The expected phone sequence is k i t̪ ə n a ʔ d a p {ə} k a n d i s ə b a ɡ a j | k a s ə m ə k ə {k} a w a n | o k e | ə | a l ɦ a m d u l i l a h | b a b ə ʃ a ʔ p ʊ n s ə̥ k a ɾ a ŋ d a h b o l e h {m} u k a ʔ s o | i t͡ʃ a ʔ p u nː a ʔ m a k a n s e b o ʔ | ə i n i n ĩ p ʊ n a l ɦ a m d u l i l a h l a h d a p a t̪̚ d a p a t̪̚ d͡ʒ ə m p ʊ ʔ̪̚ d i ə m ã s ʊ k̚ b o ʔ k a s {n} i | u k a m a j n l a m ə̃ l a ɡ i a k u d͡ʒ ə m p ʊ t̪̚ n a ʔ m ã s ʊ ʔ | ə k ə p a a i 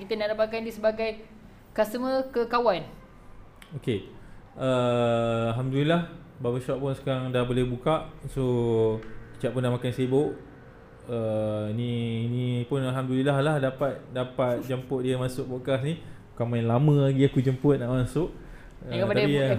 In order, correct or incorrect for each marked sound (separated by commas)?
incorrect, correct, incorrect, correct